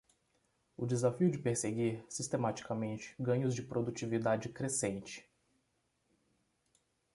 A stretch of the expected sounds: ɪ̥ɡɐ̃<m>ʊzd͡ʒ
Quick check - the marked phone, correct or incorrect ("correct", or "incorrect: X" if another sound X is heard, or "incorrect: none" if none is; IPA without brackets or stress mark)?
incorrect: ɲ